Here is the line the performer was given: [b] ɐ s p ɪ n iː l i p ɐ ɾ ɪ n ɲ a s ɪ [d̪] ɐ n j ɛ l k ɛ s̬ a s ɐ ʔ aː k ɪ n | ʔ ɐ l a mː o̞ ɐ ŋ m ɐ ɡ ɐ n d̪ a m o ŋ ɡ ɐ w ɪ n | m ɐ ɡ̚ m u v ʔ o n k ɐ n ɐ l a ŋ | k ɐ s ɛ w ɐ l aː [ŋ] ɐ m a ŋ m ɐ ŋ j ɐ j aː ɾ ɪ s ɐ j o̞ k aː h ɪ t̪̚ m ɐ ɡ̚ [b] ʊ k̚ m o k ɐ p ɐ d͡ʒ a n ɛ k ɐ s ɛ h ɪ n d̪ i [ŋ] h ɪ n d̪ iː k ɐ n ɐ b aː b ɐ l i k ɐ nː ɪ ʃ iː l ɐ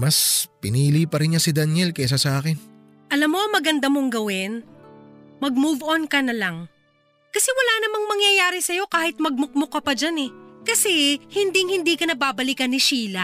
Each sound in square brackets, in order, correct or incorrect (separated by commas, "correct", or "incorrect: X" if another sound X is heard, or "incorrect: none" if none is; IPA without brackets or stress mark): incorrect: m, correct, incorrect: n, incorrect: m, correct